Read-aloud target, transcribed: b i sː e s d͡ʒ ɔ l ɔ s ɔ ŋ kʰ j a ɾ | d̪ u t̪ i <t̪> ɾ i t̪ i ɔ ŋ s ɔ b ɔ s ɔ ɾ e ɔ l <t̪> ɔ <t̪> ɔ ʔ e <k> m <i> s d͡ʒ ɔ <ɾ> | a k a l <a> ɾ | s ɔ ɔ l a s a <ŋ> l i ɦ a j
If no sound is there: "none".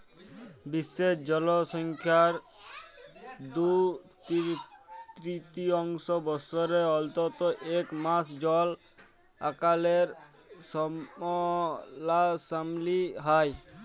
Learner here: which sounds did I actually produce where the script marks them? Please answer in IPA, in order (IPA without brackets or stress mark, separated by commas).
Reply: t̪, t̪, t̪, k, a, l, e, m